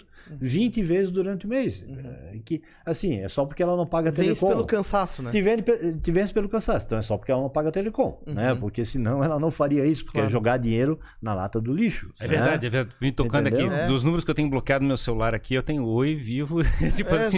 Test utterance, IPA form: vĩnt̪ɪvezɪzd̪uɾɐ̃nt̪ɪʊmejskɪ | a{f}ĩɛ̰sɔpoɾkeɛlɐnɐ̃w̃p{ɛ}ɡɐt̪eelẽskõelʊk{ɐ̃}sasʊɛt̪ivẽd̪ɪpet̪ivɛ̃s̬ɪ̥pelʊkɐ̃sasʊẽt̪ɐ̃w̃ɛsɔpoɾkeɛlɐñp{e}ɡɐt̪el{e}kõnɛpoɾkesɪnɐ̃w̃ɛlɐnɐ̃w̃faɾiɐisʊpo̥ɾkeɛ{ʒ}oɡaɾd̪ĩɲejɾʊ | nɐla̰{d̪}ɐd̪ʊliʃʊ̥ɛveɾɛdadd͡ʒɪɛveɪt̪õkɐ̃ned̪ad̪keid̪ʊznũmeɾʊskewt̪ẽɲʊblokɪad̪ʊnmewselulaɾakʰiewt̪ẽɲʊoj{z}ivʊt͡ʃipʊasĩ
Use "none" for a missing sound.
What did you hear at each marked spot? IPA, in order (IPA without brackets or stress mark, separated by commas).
s, a, ɐ̃, a, e, ʒ, t̪, v